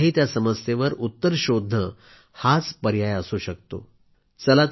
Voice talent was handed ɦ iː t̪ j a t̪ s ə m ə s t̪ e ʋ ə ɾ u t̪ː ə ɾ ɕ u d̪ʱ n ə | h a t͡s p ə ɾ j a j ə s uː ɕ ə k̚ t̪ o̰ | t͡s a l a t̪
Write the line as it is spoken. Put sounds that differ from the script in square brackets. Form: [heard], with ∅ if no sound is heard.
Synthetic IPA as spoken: ɦ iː t̪ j a [∅] s ə m ə s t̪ e ʋ ə ɾ u t̪ː ə ɾ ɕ [o] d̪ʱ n ə | h a t͡s p ə ɾ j a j ə s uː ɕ ə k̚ t̪ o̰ | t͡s [ə] l a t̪